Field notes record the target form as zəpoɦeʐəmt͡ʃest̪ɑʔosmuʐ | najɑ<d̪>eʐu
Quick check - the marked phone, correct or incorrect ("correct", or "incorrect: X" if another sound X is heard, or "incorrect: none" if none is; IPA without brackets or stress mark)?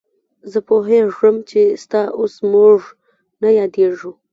correct